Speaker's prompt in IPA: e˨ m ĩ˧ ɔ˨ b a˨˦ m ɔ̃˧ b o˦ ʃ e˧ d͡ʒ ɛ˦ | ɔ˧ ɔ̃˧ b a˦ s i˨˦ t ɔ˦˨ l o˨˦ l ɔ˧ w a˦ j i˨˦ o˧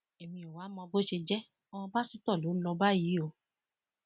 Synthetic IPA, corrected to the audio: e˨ m ĩ˧ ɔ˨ w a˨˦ m ɔ̃˧ b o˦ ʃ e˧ d͡ʒ ɛ˦ | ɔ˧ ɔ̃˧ b a˦ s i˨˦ t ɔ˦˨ l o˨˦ l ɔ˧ b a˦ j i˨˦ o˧